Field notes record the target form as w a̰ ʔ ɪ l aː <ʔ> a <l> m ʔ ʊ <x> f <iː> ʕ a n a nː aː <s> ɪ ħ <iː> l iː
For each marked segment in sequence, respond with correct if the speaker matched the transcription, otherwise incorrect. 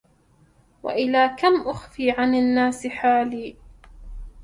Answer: incorrect: k, incorrect: none, correct, correct, correct, incorrect: aː

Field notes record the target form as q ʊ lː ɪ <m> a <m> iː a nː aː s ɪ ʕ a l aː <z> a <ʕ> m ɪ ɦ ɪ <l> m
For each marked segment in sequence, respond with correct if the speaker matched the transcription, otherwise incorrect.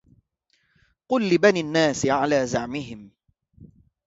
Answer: incorrect: b, incorrect: n, correct, correct, incorrect: none

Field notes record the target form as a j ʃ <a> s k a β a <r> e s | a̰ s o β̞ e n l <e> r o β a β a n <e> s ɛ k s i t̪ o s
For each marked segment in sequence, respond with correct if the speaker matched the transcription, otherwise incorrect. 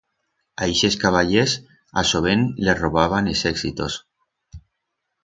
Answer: incorrect: e, incorrect: ʎ, correct, correct

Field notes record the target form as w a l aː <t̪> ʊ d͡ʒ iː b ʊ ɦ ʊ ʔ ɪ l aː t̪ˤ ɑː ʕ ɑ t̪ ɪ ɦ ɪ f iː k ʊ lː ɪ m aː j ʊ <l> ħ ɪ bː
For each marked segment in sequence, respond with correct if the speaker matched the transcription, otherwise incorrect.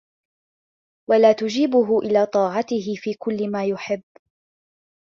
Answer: correct, incorrect: none

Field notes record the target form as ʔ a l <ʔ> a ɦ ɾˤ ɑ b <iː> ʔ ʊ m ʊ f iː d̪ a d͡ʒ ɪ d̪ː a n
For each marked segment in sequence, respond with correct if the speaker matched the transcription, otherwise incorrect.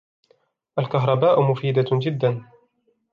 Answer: incorrect: k, incorrect: aː

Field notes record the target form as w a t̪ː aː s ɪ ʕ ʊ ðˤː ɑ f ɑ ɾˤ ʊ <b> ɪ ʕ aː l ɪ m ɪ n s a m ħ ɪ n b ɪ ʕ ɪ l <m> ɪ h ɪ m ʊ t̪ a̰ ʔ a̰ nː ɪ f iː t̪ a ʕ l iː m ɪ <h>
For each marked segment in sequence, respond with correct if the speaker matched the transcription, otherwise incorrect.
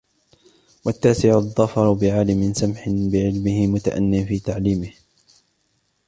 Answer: correct, correct, correct

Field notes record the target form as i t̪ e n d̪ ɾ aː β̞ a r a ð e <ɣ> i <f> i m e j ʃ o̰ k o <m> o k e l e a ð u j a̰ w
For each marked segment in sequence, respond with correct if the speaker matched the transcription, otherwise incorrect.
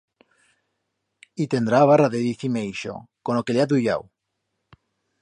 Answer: incorrect: ð, incorrect: θ, incorrect: n

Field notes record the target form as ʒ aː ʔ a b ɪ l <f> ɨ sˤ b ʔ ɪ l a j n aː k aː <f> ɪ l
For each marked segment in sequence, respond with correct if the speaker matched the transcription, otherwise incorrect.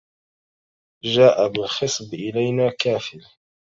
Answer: incorrect: x, correct

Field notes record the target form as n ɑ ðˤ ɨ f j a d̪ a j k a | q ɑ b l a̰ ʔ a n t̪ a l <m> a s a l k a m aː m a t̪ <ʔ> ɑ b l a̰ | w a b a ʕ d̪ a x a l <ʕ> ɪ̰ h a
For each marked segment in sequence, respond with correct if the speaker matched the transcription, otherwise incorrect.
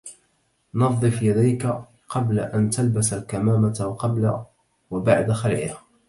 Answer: incorrect: b, incorrect: q, correct

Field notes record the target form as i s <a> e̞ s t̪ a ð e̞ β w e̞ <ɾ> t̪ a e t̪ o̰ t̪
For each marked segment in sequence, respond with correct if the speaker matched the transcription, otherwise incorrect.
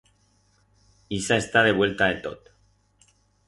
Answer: correct, incorrect: l

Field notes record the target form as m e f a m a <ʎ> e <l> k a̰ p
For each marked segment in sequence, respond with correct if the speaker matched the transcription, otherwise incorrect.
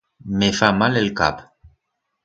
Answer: incorrect: l, correct

